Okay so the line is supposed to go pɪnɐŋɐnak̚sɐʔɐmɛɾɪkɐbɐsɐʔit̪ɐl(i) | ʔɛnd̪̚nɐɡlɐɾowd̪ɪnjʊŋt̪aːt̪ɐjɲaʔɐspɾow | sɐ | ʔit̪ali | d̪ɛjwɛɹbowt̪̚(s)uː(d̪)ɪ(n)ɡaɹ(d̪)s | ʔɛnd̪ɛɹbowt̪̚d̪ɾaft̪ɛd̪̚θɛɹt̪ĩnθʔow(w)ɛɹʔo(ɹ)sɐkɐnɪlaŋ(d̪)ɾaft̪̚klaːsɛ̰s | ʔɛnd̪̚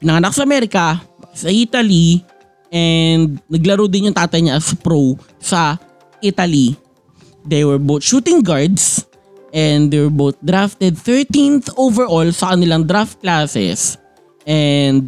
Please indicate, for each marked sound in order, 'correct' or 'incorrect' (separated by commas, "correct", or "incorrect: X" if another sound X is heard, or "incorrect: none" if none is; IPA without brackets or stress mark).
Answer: correct, incorrect: ʃ, incorrect: t̪, incorrect: ŋ, correct, incorrect: v, incorrect: l, correct